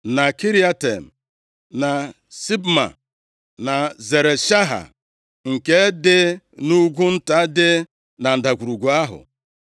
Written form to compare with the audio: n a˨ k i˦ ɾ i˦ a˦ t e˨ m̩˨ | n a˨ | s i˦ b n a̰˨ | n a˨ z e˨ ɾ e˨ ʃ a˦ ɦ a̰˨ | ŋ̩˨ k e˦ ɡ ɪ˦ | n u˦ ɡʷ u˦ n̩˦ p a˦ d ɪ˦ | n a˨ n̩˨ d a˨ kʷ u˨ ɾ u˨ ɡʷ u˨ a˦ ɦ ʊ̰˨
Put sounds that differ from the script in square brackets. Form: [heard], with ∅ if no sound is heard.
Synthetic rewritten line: n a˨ k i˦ ɾ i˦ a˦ t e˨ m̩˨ | n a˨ | s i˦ b [m] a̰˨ | n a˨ z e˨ ɾ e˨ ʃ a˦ ɦ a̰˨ | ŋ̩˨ k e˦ [d] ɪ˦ | n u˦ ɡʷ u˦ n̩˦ [t] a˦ d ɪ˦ | n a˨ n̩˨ d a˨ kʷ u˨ ɾ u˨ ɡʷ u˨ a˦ ɦ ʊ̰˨